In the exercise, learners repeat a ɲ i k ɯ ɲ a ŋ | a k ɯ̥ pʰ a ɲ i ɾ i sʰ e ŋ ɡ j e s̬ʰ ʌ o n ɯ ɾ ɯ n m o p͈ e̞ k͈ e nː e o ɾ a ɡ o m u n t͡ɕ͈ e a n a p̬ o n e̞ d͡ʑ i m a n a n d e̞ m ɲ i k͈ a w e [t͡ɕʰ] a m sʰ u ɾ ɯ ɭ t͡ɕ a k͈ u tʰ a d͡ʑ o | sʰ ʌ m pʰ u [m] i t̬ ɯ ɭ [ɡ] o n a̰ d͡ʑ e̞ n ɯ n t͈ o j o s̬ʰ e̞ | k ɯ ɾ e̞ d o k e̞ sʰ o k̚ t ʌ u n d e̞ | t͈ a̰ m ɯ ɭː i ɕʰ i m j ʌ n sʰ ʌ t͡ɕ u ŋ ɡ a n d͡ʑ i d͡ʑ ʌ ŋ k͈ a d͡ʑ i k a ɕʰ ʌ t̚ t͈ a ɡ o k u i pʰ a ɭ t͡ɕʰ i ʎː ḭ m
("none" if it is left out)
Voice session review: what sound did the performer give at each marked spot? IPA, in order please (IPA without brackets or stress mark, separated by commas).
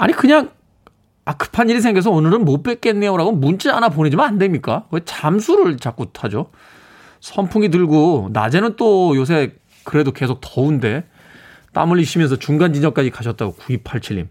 t͡ɕ, ŋ, ɡ